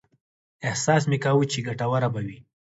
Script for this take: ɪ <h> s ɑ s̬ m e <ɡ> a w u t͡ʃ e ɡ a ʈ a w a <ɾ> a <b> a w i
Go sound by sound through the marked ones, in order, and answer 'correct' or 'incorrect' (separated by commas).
correct, incorrect, correct, correct